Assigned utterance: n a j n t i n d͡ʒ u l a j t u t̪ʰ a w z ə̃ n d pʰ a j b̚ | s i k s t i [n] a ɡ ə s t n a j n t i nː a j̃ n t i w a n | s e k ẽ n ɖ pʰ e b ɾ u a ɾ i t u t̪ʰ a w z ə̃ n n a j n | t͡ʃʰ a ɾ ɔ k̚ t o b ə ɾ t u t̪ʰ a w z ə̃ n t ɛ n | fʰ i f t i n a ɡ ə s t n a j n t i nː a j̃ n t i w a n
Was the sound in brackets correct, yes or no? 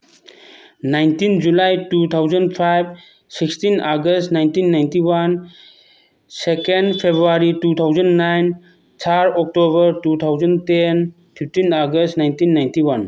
yes